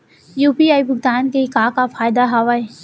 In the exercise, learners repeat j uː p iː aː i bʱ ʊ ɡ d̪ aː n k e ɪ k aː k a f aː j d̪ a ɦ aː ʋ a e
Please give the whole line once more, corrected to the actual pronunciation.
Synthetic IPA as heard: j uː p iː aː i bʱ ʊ ɡ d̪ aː n k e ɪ k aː k a f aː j d̪ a ɦ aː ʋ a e